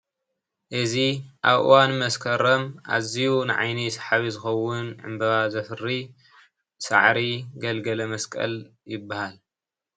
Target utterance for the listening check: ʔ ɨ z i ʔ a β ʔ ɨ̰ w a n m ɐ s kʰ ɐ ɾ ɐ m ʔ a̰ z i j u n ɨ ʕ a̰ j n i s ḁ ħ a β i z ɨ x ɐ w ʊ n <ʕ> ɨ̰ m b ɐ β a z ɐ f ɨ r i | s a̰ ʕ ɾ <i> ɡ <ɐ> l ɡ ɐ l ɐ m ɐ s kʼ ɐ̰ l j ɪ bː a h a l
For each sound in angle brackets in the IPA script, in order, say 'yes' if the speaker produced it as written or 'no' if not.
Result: yes, yes, yes

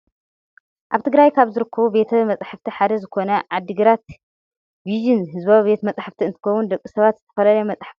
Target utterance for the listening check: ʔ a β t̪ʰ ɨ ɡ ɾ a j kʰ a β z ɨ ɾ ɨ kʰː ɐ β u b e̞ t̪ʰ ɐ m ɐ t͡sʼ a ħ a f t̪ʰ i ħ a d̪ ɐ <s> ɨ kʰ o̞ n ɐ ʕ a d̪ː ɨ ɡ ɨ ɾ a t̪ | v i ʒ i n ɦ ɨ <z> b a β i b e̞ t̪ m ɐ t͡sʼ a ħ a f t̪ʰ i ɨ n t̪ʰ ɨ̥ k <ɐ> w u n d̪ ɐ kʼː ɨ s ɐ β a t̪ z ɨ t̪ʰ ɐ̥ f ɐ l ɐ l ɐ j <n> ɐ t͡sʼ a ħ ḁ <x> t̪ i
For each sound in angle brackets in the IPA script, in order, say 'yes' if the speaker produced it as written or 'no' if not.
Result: no, yes, yes, no, no

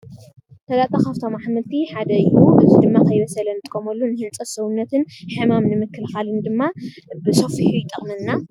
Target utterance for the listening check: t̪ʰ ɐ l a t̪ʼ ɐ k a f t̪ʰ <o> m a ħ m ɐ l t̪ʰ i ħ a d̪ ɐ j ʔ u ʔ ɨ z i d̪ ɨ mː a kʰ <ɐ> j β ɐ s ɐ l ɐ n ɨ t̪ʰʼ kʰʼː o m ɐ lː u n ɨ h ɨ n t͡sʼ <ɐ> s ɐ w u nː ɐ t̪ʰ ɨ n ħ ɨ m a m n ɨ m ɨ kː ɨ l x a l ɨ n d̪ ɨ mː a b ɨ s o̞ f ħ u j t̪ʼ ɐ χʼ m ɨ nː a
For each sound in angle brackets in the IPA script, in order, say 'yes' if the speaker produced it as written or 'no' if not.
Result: yes, yes, yes

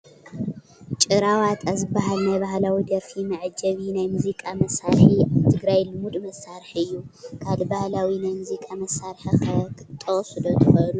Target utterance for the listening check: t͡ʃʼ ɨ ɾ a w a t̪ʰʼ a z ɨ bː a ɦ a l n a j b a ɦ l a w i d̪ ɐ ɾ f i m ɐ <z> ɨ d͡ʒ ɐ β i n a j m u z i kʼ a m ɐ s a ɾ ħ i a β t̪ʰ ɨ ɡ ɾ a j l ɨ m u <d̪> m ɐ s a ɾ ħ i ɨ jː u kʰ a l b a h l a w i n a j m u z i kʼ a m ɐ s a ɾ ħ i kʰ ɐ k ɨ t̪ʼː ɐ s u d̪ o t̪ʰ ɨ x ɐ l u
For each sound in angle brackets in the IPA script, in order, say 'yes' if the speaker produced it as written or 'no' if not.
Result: no, yes

